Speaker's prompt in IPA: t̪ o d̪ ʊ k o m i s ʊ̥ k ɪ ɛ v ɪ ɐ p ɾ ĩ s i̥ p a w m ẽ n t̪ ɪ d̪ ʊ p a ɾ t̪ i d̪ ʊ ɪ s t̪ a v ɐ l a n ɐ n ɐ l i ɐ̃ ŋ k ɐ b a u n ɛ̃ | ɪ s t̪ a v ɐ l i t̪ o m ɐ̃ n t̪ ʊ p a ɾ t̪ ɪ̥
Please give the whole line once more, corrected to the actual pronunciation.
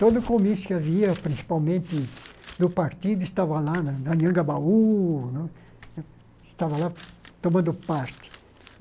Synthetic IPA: t̪ o d̪ ʊ k o m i s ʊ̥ k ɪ a v i ɐ p ɾ ĩ s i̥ p a w m ẽ n t̪ ɪ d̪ ʊ p a ɾ t̪ i d̪ ʊ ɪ s t̪ a v ɐ l a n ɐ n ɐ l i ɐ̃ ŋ ɡ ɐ b a u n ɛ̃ | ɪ s t̪ a v ɐ l a t̪ o m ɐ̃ n d̪ ʊ p a ɾ t̪ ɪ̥

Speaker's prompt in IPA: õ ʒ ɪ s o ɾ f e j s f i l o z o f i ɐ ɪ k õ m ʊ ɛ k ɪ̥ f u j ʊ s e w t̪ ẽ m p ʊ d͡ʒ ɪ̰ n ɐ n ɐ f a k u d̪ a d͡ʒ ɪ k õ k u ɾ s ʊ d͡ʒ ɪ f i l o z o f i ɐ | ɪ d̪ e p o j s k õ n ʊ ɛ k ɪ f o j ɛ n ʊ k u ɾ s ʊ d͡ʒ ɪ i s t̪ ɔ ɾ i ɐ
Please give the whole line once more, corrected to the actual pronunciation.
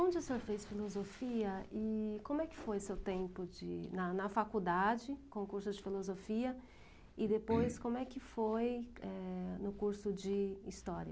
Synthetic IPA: õ d͡ʒ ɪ s o ɾ f e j s f i l o z o f i ɐ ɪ k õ m ʊ ɛ k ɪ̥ f o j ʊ s e w t̪ ẽ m p ʊ d͡ʒ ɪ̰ n ɐ n ɐ f a k u d̪ a d͡ʒ ɪ k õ k u ɾ s ʊ d͡ʒ ɪ f i l o z o f i ɐ | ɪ d̪ e p o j s k õ m ʊ ɛ k ɪ f o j ɛ n ʊ k u ɾ s ʊ d͡ʒ ɪ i s t̪ ɔ ɾ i ɐ

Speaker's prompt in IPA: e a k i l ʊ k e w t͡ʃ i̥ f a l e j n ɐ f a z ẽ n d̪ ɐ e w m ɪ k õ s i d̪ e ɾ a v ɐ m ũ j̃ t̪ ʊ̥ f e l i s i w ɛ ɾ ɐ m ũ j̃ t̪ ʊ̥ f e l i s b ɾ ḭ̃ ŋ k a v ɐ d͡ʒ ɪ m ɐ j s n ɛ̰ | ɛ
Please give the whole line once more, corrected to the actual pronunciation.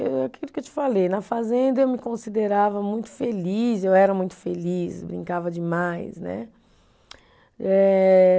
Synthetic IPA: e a k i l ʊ k e w t͡ʃ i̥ f a l e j n ɐ f a z ẽ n d̪ ɐ e w m ɪ k õ s i d̪ e ɾ a v ɐ m ũ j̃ t̪ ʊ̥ f e l i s e w ɛ ɾ ɐ m ũ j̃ t̪ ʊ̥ f e l i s b ɾ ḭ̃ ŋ k a v ɐ d͡ʒ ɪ m a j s n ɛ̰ | ɛ

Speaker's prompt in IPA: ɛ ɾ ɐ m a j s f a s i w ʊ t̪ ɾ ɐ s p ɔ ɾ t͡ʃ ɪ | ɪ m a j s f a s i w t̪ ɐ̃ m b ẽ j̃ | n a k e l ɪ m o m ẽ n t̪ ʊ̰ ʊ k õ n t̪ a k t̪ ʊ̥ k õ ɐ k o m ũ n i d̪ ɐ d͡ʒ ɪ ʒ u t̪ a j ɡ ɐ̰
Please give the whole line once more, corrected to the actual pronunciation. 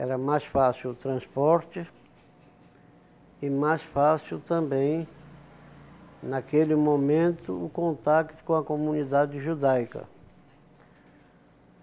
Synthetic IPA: ɛ ɾ ɐ m a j s f a s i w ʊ t̪ ɾ ɐ̃ s p ɔ ɾ t͡ʃ ɪ | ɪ m a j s f a s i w t̪ ɐ̃ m b ẽ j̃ | n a k e l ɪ m o m ẽ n t̪ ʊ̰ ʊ k õ n t̪ a k t̪ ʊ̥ k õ ɐ k o m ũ n i d̪ a d͡ʒ ɪ ʒ u d̪ a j k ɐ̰

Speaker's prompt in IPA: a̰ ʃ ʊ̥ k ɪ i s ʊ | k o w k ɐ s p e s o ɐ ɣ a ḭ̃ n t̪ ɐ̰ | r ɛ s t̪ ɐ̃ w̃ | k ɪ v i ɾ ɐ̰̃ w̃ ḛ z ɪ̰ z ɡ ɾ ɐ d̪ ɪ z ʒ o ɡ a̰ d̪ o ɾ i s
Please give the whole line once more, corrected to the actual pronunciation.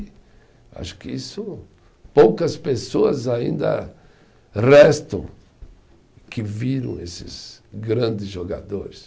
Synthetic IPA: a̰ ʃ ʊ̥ k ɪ i s ʊ | p o w k ɐ s p e s o ɐ z a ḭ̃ n d̪ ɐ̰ | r ɛ s t̪ ɐ̃ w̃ | k ɪ v i ɾ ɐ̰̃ w̃ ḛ s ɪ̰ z ɡ ɾ ɐ̃ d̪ ɪ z ʒ o ɡ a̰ d̪ o ɾ ɪ s

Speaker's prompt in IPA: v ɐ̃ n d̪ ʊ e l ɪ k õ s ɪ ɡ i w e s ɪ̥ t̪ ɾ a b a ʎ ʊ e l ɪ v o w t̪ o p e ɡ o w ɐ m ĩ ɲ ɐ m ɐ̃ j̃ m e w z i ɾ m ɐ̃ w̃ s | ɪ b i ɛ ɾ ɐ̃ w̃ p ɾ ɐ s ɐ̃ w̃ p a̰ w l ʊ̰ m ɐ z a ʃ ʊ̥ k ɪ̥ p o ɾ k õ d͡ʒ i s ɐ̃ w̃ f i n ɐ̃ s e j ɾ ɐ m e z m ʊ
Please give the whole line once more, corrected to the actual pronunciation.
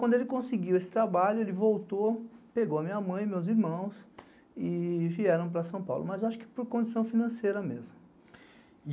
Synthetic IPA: w ɐ̃ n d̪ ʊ e l ɪ k õ s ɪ ɡ i w e s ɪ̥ t̪ ɾ a b a ʎ ʊ e l ɪ v o w t̪ o p e ɡ o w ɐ m ĩ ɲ ɐ m ɐ̃ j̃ m e w z i ɾ m ɐ̃ w̃ s | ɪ v i ɛ ɾ ɐ̃ w̃ p ɾ ɐ s ɐ̃ w̃ p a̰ w l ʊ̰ m ɐ z a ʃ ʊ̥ k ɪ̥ p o ɾ k õ d͡ʒ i s ɐ̃ w̃ f i n ɐ̃ s e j ɾ ɐ m e z m ʊ

